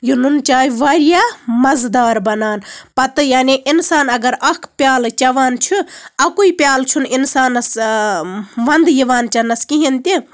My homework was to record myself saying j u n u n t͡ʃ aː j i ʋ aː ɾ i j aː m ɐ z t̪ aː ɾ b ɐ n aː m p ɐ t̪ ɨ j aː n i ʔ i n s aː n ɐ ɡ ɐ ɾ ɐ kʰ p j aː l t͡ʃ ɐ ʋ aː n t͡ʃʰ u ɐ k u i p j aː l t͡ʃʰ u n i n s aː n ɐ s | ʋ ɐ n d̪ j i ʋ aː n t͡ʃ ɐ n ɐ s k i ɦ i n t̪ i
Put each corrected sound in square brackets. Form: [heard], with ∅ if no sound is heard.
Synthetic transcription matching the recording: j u n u n t͡ʃ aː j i ʋ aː ɾ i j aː m ɐ z [d̪] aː ɾ b ɐ n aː [n] p ɐ t̪ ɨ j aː n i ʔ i n s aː n ɐ ɡ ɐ ɾ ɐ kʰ p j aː l t͡ʃ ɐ ʋ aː n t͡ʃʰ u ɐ k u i p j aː l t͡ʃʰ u n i n s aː n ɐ s | ʋ ɐ n d̪ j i ʋ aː n t͡ʃ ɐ n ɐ s k i ɦ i n t̪ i

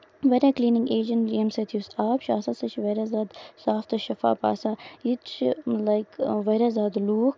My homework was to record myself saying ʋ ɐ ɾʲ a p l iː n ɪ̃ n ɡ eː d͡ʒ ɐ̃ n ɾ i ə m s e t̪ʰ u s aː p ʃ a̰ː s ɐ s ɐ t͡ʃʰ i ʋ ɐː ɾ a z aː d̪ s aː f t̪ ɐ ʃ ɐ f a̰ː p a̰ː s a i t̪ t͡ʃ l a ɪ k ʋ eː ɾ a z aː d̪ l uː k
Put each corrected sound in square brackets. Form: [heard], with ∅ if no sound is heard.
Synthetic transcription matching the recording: ʋ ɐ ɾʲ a [k] l iː n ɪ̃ [ŋ] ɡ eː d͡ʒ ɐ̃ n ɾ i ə m s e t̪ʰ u s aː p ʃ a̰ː s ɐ s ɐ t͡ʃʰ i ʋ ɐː ɾ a z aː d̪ s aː f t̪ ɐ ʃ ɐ f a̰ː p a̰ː s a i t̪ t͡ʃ l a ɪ k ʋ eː ɾ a z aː d̪ l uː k

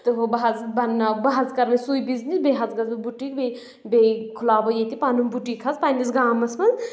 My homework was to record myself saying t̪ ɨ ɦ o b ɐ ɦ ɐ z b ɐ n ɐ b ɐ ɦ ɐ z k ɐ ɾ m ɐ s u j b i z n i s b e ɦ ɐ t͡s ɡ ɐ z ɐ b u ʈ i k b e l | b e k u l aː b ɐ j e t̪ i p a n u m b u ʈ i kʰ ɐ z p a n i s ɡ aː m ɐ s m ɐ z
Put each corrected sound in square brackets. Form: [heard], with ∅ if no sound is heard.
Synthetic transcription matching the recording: t̪ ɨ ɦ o b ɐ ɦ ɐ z b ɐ n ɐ b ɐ ɦ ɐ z k ɐ ɾ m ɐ s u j b i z n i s b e ɦ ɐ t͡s ɡ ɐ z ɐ b u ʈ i k b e [∅] | b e [kʰ] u l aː b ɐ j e t̪ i p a n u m b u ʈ i kʰ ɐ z p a n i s ɡ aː m ɐ s m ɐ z

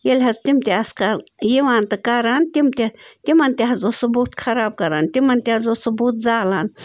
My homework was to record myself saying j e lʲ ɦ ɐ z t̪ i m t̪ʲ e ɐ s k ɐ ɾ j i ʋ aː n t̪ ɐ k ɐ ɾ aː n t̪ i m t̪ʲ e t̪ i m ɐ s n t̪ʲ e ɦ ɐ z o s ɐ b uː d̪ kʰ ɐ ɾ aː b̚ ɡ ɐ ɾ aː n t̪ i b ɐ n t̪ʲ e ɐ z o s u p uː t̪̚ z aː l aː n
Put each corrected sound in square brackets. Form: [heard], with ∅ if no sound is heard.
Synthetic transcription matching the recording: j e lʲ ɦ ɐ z t̪ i m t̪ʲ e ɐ s k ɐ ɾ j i ʋ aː n t̪ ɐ k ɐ ɾ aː n t̪ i m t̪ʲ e t̪ i m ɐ [∅] n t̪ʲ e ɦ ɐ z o s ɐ b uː [t̪] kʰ ɐ ɾ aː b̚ [k] ɐ ɾ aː n t̪ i [m] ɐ n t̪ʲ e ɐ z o s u [b] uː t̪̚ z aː l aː n

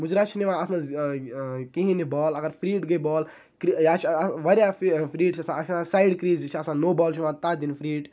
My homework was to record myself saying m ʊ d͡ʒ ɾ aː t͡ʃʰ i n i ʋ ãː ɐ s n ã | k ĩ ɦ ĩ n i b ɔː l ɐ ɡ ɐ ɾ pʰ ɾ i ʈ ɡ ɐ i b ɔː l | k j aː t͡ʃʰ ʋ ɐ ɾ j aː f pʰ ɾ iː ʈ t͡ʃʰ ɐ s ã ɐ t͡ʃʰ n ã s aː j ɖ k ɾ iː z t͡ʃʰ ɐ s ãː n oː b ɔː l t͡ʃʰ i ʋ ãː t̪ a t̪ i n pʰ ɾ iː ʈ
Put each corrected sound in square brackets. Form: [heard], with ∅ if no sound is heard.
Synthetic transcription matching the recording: m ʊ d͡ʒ ɾ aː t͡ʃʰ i n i ʋ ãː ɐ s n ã | k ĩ ɦ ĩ n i b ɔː l ɐ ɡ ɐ ɾ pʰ ɾ [iː] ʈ ɡ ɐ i b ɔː l | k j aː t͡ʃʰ ʋ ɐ ɾ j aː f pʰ ɾ iː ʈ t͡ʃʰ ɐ s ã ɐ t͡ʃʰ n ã s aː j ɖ k ɾ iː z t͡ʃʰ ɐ s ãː n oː b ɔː l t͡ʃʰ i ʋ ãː t̪ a [d̪] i n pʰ ɾ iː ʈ

